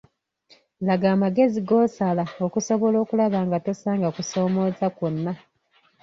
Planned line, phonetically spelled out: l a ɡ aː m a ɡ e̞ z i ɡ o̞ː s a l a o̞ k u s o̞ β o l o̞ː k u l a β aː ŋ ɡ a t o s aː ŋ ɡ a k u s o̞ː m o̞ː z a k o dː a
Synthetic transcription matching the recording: l a ɡ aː m a ɡ e̞ z i ɡ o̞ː s a l a o̞ k u s o̞ β o l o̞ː k u l a β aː ŋ ɡ a t o s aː ŋ ɡ a k u s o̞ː m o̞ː z a k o nː a